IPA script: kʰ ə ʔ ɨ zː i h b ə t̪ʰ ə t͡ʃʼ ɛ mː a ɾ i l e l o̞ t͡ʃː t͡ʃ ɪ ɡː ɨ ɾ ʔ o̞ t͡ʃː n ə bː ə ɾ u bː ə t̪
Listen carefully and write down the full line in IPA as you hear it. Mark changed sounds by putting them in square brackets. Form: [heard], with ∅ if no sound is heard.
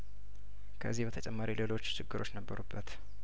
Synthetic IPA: kʰ ə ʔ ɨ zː i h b ə t̪ʰ ə t͡ʃʼ ɛ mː a ɾ i l e l o̞ t͡ʃː t͡ʃ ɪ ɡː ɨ ɾ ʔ o̞ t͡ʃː n ə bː ə ɾ u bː ə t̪

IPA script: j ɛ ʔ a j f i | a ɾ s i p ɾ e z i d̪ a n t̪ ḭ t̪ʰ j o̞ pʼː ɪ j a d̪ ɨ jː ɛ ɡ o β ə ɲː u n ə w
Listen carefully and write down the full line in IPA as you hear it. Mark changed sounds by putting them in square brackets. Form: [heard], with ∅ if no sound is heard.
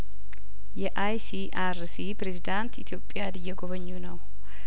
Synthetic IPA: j ɛ ʔ a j [s] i | a ɾ s i p ɾ e z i d̪ a n t̪ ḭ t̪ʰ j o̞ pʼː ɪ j a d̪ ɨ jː ɛ ɡ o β ə ɲː u n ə w

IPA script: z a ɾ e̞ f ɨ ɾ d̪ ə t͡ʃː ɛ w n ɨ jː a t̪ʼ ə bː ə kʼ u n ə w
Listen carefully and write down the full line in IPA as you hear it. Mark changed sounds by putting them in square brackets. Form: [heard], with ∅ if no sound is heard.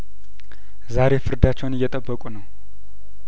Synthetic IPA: z a ɾ e̞ f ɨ ɾ d̪ [a] t͡ʃː ɛ w n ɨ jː [ɛ] t̪ʼ ə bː ə kʼ u n ə w

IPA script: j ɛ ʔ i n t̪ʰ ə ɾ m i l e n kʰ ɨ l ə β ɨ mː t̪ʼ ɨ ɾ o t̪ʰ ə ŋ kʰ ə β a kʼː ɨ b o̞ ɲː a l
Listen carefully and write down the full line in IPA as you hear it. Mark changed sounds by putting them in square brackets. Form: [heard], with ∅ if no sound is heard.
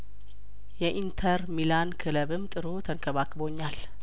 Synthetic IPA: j ɛ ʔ i n t̪ʰ ə ɾ m i l [a] n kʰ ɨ l ə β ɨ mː t̪ʼ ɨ ɾ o t̪ʰ ə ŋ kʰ ə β a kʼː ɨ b o̞ ɲː a l

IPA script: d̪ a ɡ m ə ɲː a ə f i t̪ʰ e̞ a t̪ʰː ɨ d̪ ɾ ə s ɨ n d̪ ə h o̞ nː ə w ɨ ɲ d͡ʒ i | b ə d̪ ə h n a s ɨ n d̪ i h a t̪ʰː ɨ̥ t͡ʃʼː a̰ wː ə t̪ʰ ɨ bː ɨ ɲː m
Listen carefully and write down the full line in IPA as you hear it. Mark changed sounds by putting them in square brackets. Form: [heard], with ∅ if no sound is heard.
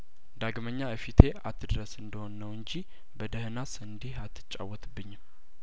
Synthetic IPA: d̪ a ɡ m ə ɲː a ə f i t̪ʰ e̞ a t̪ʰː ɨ d̪ ɾ ə s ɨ n d̪ ə h o̞ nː ə w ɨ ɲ d͡ʒ i | b ə d̪ ə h n a s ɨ n d̪ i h a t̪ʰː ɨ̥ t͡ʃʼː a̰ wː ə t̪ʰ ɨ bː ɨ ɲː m

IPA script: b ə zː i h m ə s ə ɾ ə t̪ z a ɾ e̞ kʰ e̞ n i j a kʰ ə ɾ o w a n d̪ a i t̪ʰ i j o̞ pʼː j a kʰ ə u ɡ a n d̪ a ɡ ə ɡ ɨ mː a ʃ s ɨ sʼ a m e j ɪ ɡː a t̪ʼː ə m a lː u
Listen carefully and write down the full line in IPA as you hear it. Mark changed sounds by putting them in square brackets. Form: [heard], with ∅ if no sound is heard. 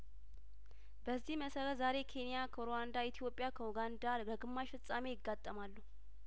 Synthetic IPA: b ə zː i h m ə s ə ɾ ə t̪ z a ɾ e̞ kʰ e̞ n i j a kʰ ə ɾ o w a n d̪ a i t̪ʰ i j o̞ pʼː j a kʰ ə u ɡ a n d̪ a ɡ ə ɡ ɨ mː a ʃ [f] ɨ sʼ a m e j ɪ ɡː a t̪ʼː ə m a lː u

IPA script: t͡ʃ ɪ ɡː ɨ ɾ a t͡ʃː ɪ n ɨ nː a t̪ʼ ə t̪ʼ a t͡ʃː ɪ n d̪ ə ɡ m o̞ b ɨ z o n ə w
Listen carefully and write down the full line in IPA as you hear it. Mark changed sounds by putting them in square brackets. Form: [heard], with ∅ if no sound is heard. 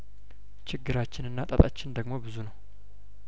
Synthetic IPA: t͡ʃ ɪ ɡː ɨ ɾ a t͡ʃː ɪ n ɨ nː a t̪ʼ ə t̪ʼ a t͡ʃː ɪ n d̪ ə ɡ m o̞ b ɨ z [u] n ə w

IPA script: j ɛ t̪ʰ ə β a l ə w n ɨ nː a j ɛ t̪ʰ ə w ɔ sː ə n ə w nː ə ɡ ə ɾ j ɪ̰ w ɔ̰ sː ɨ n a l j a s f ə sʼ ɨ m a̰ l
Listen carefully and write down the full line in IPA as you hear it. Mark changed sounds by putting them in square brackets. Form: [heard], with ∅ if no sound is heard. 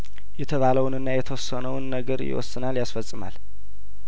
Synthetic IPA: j ɛ t̪ʰ ə β a l ə w n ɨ nː a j ɛ t̪ʰ ə w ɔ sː ə n ə w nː ə ɡ ə ɾ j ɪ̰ w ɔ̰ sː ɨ n a l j a s f ə sʼ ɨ m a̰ l

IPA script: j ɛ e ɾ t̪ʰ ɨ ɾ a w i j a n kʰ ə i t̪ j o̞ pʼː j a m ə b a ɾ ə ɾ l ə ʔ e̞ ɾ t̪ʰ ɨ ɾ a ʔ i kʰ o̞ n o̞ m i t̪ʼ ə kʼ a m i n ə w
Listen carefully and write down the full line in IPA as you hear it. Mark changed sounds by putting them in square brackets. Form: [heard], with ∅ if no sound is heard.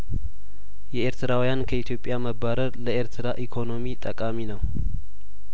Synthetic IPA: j ɛ e ɾ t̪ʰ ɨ ɾ a w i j a n kʰ ə i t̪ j o̞ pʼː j a m ə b a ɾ ə ɾ l ə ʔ e̞ ɾ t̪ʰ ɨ ɾ a ʔ i kʰ o̞ n o̞ m i t̪ʼ ə kʼ a m i n ə w

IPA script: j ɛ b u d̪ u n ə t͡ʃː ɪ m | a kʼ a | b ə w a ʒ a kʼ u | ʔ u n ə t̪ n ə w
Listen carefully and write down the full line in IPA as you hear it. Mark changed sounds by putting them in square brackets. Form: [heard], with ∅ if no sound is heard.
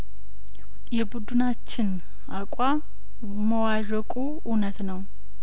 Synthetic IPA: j ɛ b u d̪ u n [a] t͡ʃː ɪ [n] | a kʼ a | [m] ə w a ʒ [ə] kʼ u | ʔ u n ə t̪ n ə w

